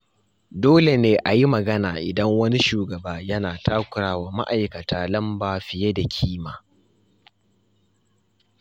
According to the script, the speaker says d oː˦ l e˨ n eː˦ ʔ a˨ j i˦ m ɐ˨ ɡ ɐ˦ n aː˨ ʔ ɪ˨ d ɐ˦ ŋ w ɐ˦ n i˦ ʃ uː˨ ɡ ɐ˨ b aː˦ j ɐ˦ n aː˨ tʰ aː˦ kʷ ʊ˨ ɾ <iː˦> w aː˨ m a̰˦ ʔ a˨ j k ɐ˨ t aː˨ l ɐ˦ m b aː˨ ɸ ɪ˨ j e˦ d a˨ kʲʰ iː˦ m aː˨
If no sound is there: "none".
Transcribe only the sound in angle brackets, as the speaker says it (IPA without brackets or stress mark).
aː˦